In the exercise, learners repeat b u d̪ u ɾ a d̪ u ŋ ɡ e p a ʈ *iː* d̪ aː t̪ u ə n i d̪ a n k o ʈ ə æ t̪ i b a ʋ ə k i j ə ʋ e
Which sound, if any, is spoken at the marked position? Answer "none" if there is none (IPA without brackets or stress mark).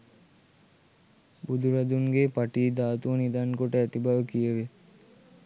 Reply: iː